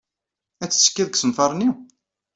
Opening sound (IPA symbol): æ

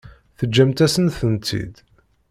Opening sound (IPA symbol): θ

